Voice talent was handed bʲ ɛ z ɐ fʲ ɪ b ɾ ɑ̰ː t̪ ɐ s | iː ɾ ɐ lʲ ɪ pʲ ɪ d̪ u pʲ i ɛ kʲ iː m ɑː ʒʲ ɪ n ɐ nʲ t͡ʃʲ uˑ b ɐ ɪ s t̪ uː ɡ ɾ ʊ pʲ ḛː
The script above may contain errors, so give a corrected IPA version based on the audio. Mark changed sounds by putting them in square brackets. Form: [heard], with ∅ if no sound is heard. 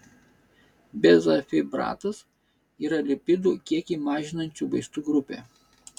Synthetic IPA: bʲ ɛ z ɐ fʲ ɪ b ɾ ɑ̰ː t̪ ɐ s | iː ɾ ɐ lʲ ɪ pʲ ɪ d̪ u [kʲ] i ɛ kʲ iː m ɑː ʒʲ ɪ n ɐ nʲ t͡ʃʲ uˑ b ɐ ɪ s t̪ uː ɡ ɾ ʊ pʲ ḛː